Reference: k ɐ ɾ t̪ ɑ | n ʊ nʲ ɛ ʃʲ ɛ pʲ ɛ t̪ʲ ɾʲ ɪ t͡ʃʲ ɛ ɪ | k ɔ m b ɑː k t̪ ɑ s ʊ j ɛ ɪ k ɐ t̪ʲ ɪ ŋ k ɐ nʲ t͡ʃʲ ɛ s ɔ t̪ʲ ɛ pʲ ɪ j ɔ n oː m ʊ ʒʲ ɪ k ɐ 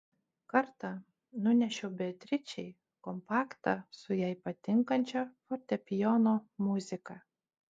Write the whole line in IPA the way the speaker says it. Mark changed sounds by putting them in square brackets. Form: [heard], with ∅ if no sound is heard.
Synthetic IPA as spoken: k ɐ ɾ t̪ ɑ | n ʊ nʲ ɛ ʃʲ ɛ [bʲ] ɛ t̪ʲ ɾʲ ɪ t͡ʃʲ ɛ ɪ | k ɔ m [p] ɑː k t̪ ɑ s ʊ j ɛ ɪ [p] ɐ t̪ʲ ɪ ŋ k ɐ nʲ t͡ʃʲ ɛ [f] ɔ t̪ʲ ɛ pʲ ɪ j ɔ n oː m ʊ [zʲ] ɪ k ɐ